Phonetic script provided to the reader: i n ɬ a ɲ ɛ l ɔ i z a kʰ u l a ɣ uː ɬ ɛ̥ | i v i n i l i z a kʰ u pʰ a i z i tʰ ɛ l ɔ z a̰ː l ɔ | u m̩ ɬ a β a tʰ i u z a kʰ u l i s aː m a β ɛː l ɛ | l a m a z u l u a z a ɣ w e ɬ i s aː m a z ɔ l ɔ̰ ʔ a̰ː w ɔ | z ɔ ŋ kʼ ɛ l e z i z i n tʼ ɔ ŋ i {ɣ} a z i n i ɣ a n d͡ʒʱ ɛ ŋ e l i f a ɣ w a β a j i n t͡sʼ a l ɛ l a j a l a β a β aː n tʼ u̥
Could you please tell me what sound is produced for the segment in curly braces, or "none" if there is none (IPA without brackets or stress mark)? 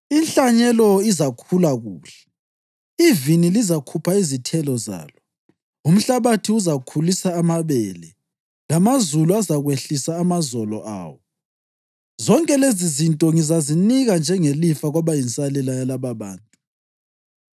z